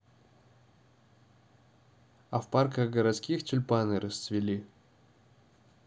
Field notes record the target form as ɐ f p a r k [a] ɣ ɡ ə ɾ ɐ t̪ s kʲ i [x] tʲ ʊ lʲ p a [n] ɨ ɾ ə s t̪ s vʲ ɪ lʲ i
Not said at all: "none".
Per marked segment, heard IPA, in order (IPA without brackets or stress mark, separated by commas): ə, x, n